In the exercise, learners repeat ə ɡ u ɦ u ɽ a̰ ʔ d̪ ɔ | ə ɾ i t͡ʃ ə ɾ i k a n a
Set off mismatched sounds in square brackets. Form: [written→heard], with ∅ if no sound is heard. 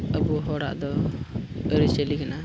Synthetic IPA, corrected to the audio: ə [ɡ→b] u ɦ [u→ɔ] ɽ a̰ ʔ d̪ ɔ | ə ɾ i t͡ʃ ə [ɾ→l] i k a n a